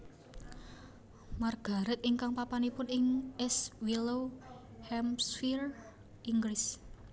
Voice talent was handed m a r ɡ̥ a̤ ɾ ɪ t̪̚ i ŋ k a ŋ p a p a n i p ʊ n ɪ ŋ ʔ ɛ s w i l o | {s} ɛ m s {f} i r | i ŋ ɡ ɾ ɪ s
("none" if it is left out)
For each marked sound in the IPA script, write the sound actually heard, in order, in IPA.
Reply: h, f

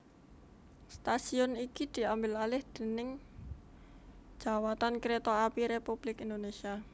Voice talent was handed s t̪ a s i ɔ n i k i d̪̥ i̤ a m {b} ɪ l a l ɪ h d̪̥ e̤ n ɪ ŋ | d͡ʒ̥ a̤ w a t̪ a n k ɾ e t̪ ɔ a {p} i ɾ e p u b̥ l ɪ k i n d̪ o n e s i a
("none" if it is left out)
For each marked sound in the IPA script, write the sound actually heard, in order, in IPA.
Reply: b, p

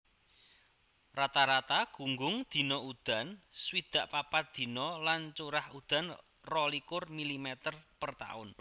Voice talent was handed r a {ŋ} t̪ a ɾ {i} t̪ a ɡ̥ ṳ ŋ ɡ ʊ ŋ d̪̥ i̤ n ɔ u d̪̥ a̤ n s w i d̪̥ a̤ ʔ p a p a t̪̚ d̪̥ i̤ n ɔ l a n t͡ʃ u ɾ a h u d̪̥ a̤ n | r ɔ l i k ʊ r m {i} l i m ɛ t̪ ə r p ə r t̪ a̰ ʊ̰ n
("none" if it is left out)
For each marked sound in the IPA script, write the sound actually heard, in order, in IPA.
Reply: none, a, i

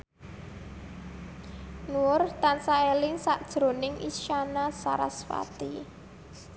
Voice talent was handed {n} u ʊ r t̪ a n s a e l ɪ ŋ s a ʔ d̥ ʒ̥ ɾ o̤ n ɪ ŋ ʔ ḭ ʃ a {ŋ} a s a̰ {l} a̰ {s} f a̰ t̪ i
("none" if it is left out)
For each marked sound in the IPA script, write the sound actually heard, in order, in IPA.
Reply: n, n, ɾ, s

